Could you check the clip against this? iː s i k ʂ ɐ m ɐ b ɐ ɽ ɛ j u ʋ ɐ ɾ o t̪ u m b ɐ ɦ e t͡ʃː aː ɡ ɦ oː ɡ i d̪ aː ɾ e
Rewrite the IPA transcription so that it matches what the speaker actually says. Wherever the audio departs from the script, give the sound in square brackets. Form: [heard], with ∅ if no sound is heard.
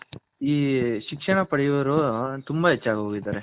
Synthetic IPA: iː [ʃ] i k ʂ ɐ [ɳ] ɐ [p] ɐ ɽ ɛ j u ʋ ɐ ɾ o t̪ u m b ɐ ɦ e t͡ʃː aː ɡ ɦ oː ɡ i d̪ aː ɾ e